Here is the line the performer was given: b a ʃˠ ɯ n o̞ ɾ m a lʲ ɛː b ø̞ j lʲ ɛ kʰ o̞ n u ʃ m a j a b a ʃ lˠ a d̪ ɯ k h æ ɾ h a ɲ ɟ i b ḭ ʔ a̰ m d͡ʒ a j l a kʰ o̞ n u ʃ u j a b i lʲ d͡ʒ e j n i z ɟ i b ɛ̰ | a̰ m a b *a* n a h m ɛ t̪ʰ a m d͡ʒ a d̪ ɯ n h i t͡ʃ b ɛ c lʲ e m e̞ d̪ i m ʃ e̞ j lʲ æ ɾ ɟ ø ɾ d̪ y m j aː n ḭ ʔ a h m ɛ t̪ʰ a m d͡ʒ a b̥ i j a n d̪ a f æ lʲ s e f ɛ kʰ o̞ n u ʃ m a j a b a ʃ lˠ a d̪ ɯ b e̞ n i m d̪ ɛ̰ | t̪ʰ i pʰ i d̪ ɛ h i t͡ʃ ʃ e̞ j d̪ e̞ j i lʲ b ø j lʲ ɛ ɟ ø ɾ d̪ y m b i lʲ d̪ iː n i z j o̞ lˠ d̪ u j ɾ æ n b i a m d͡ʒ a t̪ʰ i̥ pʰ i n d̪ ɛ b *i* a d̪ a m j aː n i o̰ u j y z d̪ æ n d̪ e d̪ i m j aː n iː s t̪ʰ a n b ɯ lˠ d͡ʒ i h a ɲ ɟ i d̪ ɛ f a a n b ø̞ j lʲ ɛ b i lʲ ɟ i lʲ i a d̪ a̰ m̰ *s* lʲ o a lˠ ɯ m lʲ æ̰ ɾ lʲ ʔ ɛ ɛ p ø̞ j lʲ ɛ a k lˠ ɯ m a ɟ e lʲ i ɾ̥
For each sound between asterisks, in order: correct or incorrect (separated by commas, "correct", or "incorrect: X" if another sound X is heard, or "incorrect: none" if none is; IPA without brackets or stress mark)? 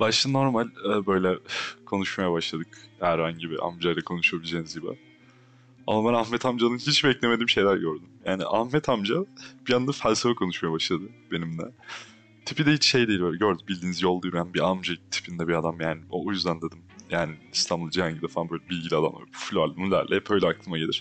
incorrect: æ, correct, incorrect: f